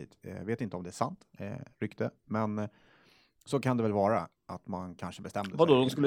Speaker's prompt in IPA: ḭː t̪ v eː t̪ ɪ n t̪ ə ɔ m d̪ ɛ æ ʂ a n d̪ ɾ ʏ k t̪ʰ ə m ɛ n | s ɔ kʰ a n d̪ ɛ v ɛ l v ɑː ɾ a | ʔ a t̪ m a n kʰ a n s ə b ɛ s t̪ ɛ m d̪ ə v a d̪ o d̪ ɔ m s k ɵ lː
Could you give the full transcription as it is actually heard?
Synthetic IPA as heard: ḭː t̪ v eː t̪ ɪ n t̪ ə ɔ m d̪ ɛ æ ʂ a n t̪ ɾ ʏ k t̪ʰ ə m ɛ n | s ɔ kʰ a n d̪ ɛ v ɛ l v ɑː ɾ a | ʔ a t̪ m a n kʰ a n ʂ ə b ɛ s t̪ ɛ m d̪ ə v a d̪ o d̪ ɔ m s k ɵ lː